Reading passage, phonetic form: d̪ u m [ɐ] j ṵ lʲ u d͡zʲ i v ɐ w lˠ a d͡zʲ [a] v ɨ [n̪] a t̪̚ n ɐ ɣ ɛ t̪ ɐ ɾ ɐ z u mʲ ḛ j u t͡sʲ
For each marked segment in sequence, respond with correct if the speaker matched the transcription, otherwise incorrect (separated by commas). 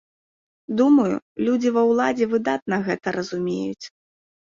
correct, incorrect, incorrect